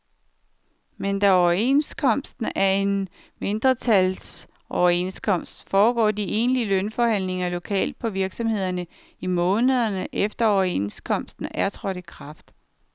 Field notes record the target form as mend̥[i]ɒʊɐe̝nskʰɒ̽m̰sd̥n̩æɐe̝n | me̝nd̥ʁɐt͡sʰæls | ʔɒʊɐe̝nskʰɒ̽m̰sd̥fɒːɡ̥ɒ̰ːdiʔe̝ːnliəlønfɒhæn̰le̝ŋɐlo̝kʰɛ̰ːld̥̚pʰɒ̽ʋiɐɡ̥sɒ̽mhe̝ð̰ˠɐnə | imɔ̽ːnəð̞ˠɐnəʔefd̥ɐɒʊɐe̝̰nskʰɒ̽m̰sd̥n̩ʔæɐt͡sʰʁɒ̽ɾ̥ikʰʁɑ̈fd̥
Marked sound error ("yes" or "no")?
yes